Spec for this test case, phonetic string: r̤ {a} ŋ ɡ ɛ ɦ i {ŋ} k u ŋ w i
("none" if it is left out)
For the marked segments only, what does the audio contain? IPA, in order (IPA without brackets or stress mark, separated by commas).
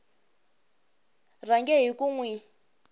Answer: a, none